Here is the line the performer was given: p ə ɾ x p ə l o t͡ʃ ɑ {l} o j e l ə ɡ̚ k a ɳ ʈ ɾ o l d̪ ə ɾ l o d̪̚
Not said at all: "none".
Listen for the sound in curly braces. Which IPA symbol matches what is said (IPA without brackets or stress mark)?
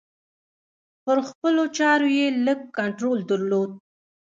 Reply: ɾ